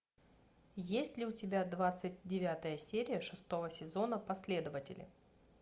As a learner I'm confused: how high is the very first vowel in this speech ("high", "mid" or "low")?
mid